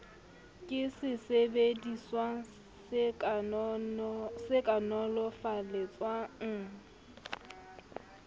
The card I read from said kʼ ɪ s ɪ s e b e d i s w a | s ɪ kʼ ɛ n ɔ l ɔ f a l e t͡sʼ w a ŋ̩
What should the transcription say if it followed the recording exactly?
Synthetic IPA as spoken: kʼ ɪ s ɪ s e b e d i s w a | s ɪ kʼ a n ɔ l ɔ f a l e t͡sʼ w a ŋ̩